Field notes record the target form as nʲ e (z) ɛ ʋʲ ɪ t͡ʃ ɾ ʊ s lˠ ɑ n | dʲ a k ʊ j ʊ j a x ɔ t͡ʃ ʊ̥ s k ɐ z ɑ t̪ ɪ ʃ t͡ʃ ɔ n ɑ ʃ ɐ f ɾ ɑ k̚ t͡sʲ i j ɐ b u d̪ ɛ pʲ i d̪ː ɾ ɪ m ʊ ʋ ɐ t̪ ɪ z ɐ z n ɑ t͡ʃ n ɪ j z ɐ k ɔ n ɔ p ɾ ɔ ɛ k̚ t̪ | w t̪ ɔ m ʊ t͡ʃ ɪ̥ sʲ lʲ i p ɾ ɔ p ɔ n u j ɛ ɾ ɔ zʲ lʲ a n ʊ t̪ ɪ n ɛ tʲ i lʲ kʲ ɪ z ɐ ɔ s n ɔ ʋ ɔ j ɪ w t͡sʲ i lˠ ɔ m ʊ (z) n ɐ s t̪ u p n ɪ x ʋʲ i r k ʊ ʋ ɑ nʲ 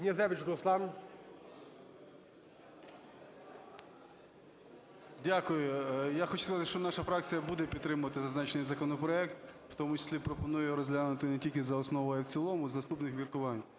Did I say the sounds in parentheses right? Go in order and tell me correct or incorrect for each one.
correct, correct

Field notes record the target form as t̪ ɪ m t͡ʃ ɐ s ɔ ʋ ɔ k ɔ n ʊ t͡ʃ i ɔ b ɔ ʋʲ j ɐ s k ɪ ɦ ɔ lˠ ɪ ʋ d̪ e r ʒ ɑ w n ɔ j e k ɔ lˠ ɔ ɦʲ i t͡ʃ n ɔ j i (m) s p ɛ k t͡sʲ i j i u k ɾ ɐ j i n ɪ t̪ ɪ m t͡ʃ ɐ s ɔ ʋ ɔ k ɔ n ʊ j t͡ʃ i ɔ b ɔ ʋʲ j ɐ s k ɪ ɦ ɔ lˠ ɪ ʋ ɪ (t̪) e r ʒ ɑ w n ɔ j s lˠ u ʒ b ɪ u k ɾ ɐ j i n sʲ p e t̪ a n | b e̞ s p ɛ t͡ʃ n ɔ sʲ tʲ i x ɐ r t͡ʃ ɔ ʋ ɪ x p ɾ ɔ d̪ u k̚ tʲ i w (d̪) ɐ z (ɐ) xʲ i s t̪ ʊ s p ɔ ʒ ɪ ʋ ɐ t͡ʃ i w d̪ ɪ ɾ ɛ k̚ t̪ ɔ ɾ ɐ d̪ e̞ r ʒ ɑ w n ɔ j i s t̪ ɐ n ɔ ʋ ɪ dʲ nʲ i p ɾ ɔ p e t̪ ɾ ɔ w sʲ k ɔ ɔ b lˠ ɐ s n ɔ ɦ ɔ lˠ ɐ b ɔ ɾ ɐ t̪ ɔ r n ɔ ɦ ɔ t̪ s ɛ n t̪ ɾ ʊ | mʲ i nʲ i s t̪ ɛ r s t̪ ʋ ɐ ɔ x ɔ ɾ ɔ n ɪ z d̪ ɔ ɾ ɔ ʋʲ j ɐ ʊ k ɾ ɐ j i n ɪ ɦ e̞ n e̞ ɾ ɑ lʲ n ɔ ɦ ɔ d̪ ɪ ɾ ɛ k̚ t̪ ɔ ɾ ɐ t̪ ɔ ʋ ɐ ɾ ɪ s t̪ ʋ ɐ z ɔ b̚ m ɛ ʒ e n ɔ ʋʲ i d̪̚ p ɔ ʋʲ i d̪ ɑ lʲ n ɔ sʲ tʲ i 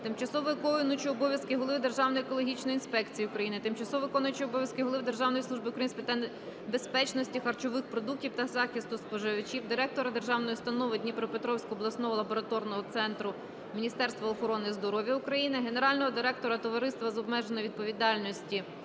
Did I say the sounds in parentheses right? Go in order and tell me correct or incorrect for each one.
incorrect: n, incorrect: d̪, incorrect: t̪, incorrect: ɑ

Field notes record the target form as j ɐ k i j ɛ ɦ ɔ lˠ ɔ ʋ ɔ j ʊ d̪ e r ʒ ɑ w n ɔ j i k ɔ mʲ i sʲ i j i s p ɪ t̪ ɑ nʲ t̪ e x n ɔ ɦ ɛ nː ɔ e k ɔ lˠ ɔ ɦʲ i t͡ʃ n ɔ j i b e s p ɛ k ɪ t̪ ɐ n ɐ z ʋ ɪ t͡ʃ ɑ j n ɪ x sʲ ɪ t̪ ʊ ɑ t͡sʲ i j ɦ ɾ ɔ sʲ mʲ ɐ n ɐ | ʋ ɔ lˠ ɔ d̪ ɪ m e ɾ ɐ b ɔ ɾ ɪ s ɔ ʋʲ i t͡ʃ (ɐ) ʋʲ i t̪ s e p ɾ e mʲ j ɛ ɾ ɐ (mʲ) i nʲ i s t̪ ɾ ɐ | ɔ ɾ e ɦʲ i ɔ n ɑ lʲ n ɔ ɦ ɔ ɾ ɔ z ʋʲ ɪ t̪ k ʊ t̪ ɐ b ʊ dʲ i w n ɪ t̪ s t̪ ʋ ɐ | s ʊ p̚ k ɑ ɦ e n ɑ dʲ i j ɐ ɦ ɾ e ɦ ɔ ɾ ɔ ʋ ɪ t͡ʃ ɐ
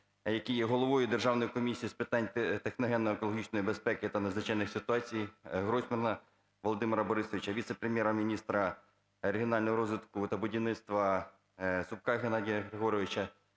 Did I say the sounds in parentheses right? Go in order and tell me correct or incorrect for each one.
correct, correct

